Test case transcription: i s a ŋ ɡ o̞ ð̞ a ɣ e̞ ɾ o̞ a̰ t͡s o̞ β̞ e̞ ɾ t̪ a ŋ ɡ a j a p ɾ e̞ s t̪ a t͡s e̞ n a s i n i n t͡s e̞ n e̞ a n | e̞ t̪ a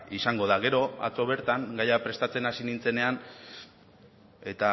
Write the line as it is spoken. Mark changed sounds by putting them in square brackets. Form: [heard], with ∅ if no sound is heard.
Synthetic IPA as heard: i s a ŋ ɡ o̞ ð̞ a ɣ e̞ ɾ o̞ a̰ t͡s o̞ β̞ e̞ ɾ t̪ a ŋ ɡ a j a p ɾ e̞ s t̪ a t͡s e̞ n a s i n i n t͡s e̞ n e̞ a n | e̞ t̪ a